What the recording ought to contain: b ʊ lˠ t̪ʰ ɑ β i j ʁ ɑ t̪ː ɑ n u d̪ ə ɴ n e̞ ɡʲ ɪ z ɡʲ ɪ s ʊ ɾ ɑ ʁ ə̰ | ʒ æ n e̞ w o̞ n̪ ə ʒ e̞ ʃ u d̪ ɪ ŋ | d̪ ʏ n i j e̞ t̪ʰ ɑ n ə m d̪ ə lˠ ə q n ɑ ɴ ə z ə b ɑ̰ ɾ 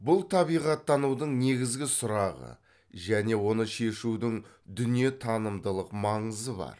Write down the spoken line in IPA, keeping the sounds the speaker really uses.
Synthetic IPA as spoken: b ʊ lˠ t̪ʰ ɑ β i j ʁ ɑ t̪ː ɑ n u d̪ ə ɴ n e̞ ɡʲ ɪ z ɡʲ ɪ s ʊ ɾ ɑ ʁ ə̰ | ʒ æ n e̞ w o̞ n̪ ə ʃ e̞ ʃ u d̪ ɪ ŋ | d̪ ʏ n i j e̞ t̪ʰ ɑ n ə m d̪ ə lˠ ə q m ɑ ɴ ə z ə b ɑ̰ ɾ

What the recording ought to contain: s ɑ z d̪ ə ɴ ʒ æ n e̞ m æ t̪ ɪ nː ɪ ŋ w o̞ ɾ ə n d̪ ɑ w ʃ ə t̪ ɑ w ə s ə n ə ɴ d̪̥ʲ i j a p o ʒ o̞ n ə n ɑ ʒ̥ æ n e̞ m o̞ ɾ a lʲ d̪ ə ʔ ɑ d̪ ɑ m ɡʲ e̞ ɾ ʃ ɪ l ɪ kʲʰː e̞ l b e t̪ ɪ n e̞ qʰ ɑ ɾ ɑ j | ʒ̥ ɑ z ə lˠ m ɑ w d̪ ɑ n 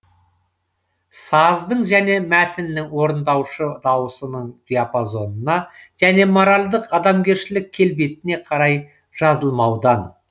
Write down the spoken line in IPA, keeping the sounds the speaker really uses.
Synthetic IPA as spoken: s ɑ z d̪ ə ɴ ʒ æ n e̞ m æ t̪ ɪ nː ɪ ŋ w o̞ ɾ ə n d̪ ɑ w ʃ ə d̪ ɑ w ə s ə n ə ɴ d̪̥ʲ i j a p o z o̞ n ə n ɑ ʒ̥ æ n e̞ m o̞ ɾ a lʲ d̪ ə q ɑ d̪ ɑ m ɡʲ e̞ ɾ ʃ ɪ l ɪ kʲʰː e̞ l b e t̪ ɪ n e̞ qʰ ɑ ɾ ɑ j | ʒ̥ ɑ z ə lˠ m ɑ w d̪ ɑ n

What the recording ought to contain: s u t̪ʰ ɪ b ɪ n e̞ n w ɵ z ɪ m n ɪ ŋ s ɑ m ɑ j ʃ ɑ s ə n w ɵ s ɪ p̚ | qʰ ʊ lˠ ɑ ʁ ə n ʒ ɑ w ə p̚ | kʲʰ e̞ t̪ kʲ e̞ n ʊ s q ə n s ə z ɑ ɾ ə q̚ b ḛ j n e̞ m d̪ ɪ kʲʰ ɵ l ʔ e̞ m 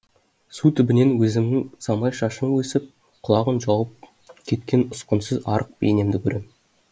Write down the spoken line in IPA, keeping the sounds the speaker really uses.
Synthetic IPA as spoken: s u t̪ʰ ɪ b ɪ n e̞ n w ɵ z ɪ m n ɪ ŋ s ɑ m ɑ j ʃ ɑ ʃ ə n w ɵ s ɪ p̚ | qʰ ʊ lˠ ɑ ʁ ə n ʒ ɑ w ə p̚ | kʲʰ e̞ t̪ kʲ e̞ n ʊ s q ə n s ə z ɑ ɾ ə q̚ b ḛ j n e̞ m d̪ ɪ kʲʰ ɵ ɾ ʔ e̞ m

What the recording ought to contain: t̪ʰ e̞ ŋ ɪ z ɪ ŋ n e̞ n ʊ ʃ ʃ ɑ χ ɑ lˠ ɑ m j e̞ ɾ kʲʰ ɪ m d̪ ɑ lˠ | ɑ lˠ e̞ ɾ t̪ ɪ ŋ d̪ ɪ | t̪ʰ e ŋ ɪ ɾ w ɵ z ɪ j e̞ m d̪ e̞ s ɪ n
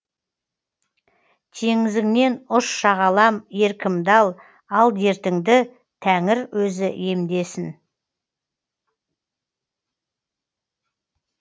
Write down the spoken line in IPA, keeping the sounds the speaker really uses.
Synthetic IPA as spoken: t̪ʰ e̞ ŋ ɪ z ɪ ŋ n e̞ n ʊ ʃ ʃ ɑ ʁ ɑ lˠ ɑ m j e̞ ɾ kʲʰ ɪ m d̪ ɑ lˠ | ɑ lˠ e̞ ɾ t̪ ɪ ŋ d̪ ɪ | t̪ʰ æ ŋ ɪ ɾ w ɵ z ɪ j e̞ m d̪ e̞ s ɪ n

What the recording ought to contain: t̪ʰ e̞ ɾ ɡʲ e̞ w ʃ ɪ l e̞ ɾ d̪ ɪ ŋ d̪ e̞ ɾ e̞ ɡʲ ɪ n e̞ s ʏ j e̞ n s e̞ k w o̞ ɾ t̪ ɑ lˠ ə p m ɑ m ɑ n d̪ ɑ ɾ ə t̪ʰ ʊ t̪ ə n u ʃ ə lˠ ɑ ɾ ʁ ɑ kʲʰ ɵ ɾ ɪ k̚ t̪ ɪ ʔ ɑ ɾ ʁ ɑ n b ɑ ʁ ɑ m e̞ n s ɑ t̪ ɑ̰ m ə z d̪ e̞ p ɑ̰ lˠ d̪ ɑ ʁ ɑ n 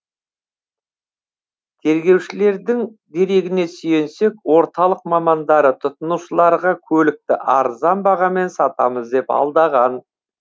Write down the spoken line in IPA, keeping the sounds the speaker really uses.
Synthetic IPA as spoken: t̪ʰ e̞ ɾ ɡʲ e̞ w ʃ ɪ l e̞ ɾ d̪ ɪ ŋ d̪ e̞ ɾ e̞ ɡʲ ɪ n e̞ s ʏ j e̞ n s e̞ k w o̞ ɾ t̪ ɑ lˠ ə q m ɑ m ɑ n d̪ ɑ ɾ ə t̪ʰ ʊ t̪ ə n u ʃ ə lˠ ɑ ɾ ʁ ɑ kʲʰ ɵ l ɪ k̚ t̪ ɪ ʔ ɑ ɾ z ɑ n b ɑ ʁ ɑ m e̞ n s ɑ t̪ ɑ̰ m ə z d̪ e̞ p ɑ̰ lˠ d̪ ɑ ʁ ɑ n

